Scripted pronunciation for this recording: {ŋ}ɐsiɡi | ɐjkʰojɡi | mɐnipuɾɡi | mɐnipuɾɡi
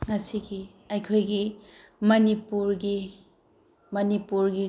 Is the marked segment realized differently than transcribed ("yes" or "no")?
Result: no